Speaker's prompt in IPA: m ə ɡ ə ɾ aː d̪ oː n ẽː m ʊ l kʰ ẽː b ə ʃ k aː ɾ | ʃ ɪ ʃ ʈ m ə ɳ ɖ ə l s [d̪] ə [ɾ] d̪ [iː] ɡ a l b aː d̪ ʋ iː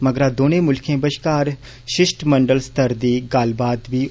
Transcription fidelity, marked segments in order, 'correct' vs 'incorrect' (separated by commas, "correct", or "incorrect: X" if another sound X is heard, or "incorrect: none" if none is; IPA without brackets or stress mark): incorrect: t̪, correct, correct